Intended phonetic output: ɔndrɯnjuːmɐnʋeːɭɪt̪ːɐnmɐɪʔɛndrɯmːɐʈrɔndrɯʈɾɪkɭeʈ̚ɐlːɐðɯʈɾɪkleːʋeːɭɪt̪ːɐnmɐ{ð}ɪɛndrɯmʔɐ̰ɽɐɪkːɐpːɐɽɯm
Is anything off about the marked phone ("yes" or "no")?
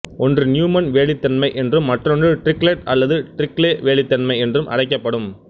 yes